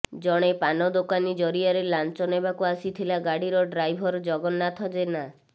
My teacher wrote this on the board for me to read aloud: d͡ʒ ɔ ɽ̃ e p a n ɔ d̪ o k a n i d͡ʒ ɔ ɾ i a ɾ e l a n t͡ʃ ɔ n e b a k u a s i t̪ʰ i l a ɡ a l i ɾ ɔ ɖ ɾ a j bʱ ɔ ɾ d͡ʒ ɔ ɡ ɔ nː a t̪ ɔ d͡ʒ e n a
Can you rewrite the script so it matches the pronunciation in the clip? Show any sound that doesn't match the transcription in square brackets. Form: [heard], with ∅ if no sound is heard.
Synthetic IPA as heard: d͡ʒ ɔ ɽ̃ e p a n ɔ d̪ o k a n i d͡ʒ ɔ ɾ i a ɾ e l a n t͡ʃ ɔ n e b a k u a s i t̪ʰ i l a ɡ a [ɽ] i ɾ ɔ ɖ ɾ a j bʱ ɔ ɾ d͡ʒ ɔ ɡ ɔ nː a [t̪ʰ] ɔ d͡ʒ e n a